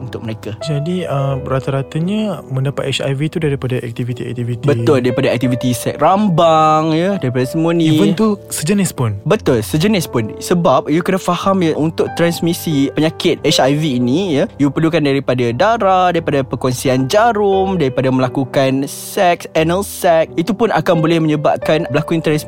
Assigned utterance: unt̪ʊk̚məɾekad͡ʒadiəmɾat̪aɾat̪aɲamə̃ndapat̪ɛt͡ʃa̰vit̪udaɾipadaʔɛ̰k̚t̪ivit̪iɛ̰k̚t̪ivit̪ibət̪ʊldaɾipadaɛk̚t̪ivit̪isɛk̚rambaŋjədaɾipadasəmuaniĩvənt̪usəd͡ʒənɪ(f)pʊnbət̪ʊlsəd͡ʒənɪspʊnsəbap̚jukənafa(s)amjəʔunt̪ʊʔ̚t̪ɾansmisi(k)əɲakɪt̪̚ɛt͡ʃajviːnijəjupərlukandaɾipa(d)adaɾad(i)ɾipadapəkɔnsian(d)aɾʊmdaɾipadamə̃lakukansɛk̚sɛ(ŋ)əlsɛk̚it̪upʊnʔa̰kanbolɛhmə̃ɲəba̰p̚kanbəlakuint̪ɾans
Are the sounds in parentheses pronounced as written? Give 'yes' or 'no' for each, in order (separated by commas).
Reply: no, no, no, yes, no, no, no